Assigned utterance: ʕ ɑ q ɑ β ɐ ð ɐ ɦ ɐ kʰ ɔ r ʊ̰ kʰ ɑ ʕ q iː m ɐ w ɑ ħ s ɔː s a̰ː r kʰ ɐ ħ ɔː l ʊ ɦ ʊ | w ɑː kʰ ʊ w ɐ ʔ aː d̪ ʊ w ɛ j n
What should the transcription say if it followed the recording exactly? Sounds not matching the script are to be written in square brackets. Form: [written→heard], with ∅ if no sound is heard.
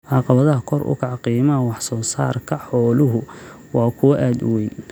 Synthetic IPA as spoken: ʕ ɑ q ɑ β ɐ ð ɐ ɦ ɐ kʰ ɔ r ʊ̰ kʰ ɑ ʕ q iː m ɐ w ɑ ħ s ɔː s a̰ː r kʰ ɐ ħ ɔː l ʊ ɦ ʊ | w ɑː kʰ ʊ w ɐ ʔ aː d̪ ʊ w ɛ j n